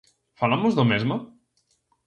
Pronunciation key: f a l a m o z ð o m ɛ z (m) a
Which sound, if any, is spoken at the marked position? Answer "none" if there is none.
m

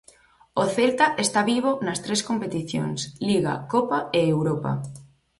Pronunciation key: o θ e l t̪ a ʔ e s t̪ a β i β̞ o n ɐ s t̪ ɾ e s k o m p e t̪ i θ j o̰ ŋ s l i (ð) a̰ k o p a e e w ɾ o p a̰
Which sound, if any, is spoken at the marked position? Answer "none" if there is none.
ɣ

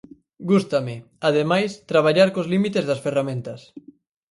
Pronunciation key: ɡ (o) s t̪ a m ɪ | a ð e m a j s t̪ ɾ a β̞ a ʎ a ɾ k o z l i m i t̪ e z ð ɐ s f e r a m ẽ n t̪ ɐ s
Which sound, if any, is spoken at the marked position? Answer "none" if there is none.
u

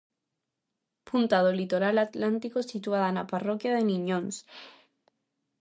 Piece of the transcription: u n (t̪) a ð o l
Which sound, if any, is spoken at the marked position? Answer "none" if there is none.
t̪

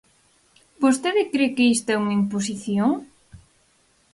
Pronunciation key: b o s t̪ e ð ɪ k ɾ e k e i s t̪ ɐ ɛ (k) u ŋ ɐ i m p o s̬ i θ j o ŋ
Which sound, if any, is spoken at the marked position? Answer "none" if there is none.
none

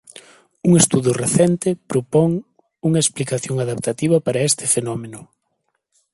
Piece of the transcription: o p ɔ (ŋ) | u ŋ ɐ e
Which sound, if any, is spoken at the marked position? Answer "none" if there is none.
ŋ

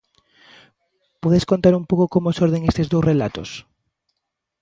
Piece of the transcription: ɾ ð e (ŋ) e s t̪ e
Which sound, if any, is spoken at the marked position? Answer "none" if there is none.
ŋ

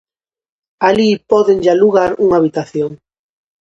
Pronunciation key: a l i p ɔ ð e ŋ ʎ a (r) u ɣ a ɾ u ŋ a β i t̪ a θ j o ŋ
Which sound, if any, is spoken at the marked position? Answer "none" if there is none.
l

